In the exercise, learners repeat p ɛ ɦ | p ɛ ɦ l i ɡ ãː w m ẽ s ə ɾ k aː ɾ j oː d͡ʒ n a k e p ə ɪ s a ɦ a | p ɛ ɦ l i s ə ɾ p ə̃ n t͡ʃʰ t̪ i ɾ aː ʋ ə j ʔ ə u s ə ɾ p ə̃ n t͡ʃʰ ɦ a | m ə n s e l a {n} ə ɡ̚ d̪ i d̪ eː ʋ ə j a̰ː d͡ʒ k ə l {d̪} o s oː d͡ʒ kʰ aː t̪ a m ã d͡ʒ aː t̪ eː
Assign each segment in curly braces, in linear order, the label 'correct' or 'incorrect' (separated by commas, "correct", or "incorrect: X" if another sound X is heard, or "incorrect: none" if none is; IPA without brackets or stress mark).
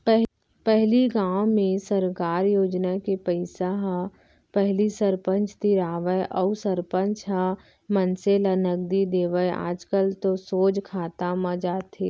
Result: correct, incorrect: t̪